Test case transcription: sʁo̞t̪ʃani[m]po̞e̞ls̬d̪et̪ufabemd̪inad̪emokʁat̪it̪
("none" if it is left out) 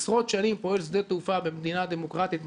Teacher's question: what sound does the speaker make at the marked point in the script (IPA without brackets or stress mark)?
m